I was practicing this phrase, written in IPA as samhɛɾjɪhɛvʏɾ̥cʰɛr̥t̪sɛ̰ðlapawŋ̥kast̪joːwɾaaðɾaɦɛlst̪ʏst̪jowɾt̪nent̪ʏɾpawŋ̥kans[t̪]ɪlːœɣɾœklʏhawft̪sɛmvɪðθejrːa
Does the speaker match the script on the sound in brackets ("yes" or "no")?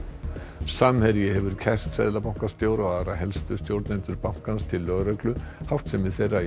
no